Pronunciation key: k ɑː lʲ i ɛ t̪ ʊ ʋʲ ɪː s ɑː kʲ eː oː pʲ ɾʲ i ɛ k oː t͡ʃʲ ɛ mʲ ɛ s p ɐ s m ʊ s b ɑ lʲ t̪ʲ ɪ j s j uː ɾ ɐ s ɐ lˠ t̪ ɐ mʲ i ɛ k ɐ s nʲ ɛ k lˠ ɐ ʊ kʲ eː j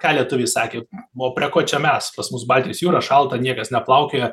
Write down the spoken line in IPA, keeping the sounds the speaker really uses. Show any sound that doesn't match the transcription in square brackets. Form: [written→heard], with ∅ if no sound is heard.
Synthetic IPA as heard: k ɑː lʲ i ɛ t̪ ʊ ʋʲ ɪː s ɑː kʲ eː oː pʲ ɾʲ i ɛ k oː t͡ʃʲ ɛ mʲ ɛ s p ɐ s m ʊ s b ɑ lʲ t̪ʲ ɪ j s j uː ɾ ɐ [s→ʃ] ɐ lˠ t̪ ɐ [mʲ→nʲ] i ɛ k ɐ s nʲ ɛ [k→p] lˠ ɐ ʊ kʲ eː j